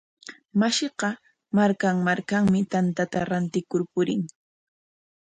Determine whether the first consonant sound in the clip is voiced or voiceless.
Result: voiced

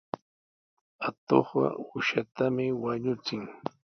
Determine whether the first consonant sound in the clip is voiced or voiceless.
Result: voiceless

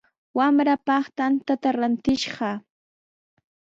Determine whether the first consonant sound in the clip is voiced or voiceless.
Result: voiced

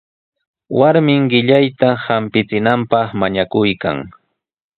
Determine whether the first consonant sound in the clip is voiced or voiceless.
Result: voiced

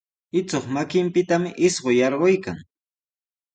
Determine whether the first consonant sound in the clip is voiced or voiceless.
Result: voiceless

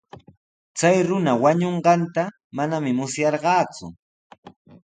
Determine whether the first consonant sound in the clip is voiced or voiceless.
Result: voiceless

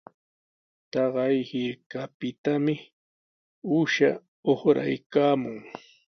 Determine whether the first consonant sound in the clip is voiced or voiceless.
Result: voiceless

